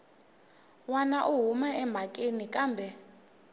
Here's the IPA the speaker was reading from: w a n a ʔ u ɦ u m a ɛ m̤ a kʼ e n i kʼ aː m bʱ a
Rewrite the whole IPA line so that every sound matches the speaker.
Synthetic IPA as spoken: w a n a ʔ u ɦ u m a ɛ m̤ a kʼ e n i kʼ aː m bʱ ɛ